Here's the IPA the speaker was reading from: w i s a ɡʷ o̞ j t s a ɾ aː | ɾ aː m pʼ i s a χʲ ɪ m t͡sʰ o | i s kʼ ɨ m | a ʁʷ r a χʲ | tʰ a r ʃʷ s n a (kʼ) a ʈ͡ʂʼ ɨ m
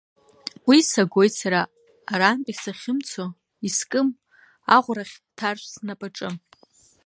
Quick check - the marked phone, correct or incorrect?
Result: incorrect: pʼ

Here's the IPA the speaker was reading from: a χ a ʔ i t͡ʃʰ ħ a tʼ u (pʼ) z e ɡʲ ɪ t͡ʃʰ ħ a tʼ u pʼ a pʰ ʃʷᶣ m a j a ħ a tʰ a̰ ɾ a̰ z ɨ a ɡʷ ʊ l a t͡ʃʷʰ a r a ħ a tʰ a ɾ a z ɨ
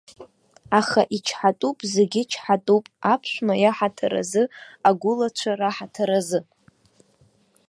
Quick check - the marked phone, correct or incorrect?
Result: correct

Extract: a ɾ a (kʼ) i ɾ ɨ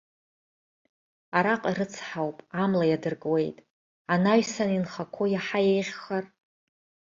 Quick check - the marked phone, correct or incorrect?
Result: incorrect: qʼ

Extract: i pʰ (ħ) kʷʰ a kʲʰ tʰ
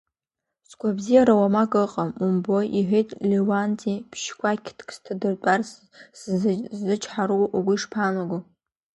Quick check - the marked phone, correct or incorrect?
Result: incorrect: ʃ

